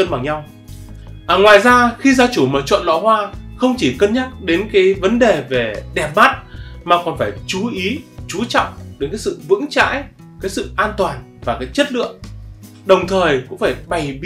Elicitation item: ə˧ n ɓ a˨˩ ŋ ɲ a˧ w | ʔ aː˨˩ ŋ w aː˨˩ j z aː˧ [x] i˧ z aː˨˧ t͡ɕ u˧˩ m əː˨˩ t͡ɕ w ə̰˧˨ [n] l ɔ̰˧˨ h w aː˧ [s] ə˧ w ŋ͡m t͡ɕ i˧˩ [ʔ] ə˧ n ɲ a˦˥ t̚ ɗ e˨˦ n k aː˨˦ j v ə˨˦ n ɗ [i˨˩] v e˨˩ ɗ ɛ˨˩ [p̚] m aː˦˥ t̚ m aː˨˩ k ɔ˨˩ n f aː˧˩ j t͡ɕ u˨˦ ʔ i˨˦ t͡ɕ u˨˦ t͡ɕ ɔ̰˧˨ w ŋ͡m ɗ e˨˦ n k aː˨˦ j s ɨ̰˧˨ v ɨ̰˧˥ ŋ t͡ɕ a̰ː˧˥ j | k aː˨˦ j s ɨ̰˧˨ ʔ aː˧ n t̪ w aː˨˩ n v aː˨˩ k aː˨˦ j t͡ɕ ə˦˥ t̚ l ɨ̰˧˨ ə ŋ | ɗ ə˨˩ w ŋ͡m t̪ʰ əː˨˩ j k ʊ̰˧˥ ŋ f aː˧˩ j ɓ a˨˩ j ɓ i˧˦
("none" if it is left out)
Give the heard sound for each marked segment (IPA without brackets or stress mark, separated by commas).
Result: x, n, x, k, e˨˩, p̚